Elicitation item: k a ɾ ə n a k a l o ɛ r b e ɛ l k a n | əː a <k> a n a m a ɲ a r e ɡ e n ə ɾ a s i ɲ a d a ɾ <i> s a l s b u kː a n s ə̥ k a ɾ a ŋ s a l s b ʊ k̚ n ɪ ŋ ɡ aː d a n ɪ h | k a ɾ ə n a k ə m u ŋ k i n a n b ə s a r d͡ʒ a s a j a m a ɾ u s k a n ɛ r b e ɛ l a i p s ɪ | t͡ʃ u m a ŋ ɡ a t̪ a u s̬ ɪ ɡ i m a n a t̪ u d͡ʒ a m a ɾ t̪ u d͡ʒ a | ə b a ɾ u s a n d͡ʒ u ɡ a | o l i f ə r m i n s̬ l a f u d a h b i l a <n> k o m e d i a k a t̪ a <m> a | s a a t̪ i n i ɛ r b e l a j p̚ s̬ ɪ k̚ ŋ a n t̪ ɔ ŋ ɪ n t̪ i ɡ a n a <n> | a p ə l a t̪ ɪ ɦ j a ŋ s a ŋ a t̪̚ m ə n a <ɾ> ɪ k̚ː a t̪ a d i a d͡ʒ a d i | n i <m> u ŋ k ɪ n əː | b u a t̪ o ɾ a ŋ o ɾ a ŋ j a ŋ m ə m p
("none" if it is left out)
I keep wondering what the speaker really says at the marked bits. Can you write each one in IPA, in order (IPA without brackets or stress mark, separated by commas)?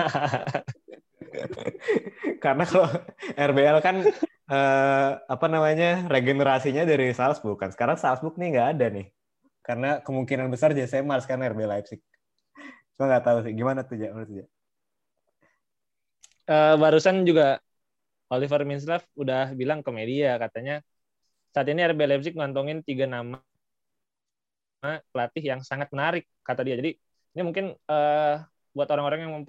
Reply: p, i, ŋ, ɲ, m, ɾ, m